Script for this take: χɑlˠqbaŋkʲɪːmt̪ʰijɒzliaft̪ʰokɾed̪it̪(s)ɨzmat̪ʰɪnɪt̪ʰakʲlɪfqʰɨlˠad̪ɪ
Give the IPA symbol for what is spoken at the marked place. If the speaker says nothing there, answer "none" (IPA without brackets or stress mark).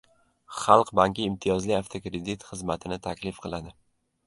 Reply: χ